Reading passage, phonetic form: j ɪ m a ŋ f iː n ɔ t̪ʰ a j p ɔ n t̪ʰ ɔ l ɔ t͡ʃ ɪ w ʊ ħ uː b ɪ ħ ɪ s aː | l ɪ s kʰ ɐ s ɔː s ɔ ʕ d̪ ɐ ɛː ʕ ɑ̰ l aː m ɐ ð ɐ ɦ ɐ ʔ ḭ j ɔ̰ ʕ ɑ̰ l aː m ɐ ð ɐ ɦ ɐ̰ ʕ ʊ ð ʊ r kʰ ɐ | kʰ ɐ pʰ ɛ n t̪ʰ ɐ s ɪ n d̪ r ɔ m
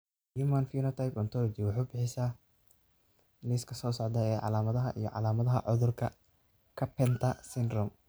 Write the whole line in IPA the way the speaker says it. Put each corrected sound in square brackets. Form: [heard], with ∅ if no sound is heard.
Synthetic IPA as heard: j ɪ m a [n] f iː n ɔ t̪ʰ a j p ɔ n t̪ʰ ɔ l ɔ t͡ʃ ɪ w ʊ ħ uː b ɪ ħ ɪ s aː | l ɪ s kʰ ɐ s ɔː s ɔ ʕ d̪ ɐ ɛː ʕ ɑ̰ l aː m ɐ ð ɐ ɦ ɐ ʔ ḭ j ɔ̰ ʕ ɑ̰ l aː m ɐ ð ɐ ɦ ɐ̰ ʕ ʊ ð ʊ r kʰ ɐ | kʰ ɐ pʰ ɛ n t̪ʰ ɐ s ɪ n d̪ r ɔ m